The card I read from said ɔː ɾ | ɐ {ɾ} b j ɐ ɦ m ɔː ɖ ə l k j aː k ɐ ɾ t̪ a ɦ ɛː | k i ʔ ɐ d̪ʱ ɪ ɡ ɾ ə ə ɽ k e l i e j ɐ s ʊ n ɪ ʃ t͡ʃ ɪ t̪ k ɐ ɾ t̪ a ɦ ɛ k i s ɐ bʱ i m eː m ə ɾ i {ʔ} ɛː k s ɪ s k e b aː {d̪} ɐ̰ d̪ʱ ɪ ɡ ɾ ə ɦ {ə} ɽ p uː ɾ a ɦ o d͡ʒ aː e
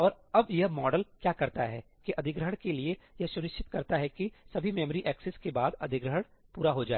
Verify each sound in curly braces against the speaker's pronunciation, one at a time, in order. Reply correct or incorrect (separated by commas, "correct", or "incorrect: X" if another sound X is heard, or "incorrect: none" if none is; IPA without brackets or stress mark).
incorrect: none, correct, correct, correct